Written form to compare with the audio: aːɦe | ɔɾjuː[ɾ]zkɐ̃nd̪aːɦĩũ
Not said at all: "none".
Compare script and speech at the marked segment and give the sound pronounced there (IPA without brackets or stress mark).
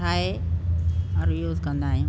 none